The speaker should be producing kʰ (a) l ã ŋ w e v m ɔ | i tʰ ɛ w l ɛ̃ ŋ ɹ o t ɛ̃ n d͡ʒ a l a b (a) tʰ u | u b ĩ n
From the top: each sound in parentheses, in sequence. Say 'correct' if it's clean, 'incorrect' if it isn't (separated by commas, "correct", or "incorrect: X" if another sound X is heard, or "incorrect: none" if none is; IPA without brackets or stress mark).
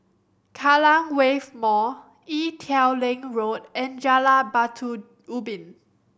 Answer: correct, correct